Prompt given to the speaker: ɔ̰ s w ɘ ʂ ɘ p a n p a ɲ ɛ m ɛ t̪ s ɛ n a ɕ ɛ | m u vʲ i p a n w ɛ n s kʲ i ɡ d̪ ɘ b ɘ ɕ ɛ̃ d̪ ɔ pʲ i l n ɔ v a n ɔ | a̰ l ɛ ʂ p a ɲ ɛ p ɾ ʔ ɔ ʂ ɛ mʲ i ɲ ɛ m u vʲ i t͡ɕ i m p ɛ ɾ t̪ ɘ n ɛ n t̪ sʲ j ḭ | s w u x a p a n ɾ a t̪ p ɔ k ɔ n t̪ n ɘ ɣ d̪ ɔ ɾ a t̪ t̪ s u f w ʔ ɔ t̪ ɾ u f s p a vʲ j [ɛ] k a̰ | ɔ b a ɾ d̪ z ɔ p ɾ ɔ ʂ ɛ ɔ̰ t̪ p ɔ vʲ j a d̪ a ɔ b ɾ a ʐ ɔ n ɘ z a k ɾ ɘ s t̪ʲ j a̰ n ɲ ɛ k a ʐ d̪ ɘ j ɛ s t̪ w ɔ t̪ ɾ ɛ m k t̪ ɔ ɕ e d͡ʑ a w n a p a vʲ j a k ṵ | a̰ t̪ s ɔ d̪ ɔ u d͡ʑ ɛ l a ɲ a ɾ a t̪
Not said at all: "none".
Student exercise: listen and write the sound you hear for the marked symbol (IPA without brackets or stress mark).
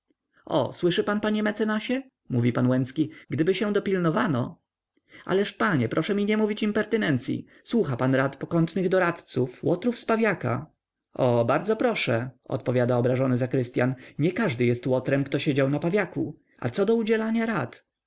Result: a